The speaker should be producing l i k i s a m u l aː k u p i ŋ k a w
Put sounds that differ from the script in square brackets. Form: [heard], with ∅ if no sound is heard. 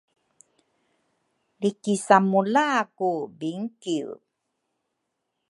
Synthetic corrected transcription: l i k i s a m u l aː k u [b] i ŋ k [i] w